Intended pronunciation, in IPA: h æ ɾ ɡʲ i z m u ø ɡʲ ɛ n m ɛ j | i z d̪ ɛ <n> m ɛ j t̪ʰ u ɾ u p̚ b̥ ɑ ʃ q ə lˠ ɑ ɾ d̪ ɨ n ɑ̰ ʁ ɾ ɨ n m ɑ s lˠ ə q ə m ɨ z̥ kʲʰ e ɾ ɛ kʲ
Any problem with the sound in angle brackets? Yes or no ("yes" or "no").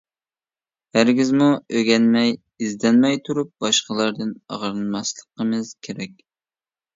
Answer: no